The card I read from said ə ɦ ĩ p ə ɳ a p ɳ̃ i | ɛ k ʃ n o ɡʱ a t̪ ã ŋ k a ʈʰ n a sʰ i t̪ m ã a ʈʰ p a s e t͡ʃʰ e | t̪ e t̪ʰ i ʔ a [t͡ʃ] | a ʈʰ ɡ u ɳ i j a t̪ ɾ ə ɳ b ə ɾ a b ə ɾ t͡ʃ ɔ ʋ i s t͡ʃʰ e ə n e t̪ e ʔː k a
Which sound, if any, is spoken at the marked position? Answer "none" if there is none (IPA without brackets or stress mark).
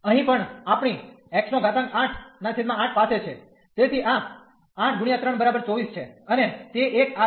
none